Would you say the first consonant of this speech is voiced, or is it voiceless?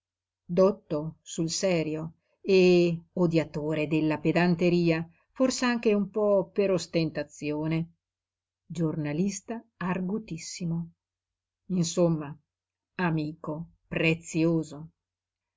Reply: voiced